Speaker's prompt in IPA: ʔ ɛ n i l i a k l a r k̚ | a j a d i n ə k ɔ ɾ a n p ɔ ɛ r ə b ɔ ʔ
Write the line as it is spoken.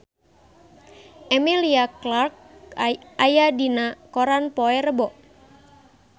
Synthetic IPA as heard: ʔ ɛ m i l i a k l a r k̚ | a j a d i n a k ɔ ɾ a n p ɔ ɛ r ə b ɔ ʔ

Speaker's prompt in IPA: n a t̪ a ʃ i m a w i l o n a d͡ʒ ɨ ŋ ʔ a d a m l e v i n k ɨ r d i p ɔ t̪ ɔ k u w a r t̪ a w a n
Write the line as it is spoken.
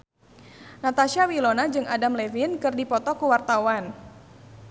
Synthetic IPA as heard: n a t̪ a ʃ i a w i l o n a d͡ʒ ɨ ŋ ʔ a d a m l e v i n k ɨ r d i p ɔ t̪ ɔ k u w a r t̪ a w a n

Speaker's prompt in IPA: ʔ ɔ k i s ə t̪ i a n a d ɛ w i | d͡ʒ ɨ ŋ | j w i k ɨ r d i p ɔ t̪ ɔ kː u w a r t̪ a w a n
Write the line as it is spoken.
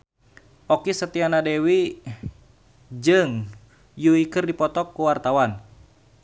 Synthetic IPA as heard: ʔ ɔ k i s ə t̪ i a n a d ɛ w i | d͡ʒ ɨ ŋ | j u i k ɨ r d i p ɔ t̪ ɔ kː u w a r t̪ a w a n

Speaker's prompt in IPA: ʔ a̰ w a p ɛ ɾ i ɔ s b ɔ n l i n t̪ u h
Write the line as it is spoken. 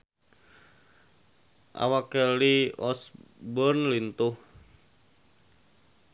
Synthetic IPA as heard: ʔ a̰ w a k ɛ l i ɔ s b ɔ n l i n t̪ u h

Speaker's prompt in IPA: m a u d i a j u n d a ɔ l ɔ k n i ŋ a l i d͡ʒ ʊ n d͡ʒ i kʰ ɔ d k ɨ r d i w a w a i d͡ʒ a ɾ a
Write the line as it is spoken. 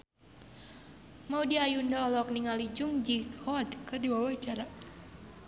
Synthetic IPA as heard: m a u d i a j u n d a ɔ l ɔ k n i ŋ a l i d͡ʒ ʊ ŋ d͡ʒ i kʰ ɔ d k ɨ r d i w a w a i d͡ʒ a ɾ a

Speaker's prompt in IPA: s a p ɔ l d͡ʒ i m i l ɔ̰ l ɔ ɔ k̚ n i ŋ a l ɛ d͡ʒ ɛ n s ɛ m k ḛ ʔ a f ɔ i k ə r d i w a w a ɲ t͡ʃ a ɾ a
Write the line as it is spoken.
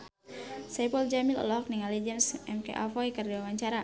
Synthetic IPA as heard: s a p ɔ l d͡ʒ a m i l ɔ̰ l ɔ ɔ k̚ n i ŋ a l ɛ d͡ʒ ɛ n s ɛ m k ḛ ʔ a f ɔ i k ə r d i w a w a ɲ t͡ʃ a ɾ a

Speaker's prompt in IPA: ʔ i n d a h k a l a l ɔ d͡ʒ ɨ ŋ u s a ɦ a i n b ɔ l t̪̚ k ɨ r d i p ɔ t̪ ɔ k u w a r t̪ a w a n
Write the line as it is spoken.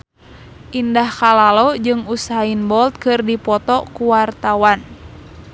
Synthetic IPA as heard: ʔ i n d a h k a l a l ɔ d͡ʒ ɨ ŋ u s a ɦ a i n b ɔ l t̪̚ k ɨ r d i p ɔ t̪ ɔ k u w a r t̪ a w a n

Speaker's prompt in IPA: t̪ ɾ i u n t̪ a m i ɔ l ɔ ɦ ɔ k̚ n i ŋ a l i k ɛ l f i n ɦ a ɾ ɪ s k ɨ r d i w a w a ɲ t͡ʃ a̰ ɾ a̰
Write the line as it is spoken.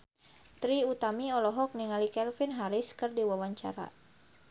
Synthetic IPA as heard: t̪ ɾ i u t̪ a m i ɔ l ɔ ɦ ɔ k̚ n i ŋ a l i k ɛ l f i n ɦ a ɾ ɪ s k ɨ r d i w a w a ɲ t͡ʃ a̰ ɾ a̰

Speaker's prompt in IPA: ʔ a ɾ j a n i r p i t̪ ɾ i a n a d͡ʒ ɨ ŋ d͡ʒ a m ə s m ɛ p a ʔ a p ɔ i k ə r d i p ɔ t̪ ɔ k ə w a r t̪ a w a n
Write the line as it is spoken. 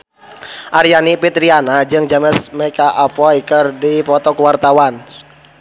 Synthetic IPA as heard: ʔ a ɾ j a n i p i t̪ ɾ i a n a d͡ʒ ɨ ŋ d͡ʒ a m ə s m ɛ k a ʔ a p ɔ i k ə r d i p ɔ t̪ ɔ k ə w a r t̪ a w a n

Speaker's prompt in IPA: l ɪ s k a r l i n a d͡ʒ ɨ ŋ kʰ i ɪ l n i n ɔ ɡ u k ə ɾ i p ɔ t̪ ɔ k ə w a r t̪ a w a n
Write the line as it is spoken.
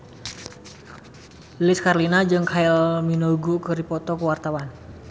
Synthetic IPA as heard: l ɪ s k a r l i n a d͡ʒ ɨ ŋ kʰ a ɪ l m i n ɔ ɡ u k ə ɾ i p ɔ t̪ ɔ k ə w a r t̪ a w a n

